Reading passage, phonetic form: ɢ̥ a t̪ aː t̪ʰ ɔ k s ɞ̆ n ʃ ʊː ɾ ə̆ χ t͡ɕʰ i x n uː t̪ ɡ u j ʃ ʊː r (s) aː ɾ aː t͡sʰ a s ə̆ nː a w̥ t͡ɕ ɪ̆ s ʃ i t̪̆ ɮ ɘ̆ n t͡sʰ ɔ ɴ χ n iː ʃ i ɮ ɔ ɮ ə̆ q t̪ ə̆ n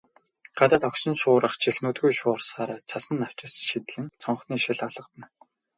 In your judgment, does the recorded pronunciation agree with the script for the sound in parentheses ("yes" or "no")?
yes